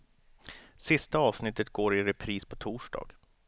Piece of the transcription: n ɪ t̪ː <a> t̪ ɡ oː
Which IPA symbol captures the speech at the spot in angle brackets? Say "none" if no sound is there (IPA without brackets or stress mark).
ə